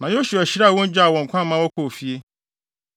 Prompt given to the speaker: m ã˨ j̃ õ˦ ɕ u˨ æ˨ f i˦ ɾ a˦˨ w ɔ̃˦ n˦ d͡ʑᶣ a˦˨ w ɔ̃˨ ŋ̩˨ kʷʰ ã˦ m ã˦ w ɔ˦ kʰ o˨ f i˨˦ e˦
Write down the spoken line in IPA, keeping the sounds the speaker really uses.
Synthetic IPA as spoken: n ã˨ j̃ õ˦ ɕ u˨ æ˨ ɕ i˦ ɾ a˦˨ w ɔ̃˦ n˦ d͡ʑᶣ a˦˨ w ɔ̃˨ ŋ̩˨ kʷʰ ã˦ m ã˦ w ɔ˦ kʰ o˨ f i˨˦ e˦